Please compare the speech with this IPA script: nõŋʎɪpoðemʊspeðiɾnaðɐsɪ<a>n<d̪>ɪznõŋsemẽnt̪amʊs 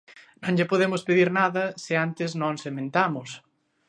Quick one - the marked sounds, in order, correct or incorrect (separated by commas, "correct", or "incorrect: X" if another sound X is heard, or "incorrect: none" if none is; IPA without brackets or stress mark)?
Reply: correct, incorrect: t̪